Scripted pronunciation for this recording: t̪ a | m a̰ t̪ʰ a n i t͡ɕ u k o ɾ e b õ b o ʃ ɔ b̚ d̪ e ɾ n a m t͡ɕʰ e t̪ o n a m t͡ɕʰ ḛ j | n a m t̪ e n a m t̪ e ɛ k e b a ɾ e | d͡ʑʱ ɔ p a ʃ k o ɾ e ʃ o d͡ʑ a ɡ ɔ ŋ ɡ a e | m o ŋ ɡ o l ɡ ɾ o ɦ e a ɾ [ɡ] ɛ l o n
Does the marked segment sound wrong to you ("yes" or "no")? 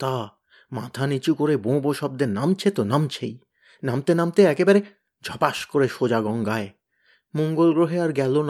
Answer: no